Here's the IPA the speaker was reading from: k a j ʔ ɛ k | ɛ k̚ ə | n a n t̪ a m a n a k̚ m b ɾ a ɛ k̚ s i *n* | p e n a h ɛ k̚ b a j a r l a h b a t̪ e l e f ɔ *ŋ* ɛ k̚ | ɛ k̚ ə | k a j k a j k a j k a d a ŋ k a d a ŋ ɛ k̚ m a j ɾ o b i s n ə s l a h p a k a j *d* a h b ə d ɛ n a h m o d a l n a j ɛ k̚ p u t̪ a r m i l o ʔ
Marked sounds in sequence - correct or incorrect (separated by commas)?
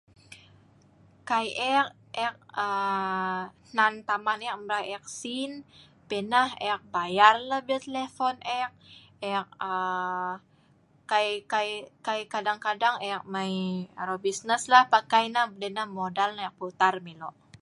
correct, incorrect, incorrect